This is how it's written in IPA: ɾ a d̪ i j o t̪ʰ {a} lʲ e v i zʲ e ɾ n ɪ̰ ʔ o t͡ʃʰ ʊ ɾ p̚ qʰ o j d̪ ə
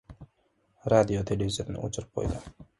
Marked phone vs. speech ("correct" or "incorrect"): incorrect